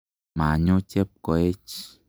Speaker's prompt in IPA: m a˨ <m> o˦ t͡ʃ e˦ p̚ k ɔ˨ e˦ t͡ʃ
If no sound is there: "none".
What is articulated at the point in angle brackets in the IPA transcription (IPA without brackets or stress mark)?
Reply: ɲ